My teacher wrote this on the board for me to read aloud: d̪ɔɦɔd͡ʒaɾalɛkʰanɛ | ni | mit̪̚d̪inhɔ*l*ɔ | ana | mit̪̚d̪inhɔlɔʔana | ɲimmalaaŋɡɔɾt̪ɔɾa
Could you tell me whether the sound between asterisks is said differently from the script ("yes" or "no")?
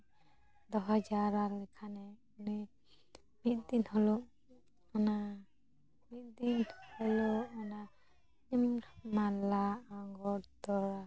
no